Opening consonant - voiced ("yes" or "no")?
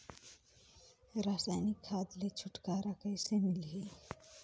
yes